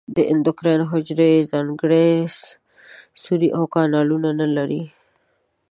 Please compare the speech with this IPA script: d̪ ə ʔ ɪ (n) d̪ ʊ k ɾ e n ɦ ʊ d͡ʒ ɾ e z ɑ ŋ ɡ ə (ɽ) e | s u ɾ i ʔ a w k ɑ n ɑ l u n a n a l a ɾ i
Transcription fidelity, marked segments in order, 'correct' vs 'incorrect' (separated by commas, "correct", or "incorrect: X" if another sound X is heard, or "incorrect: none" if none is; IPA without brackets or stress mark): correct, correct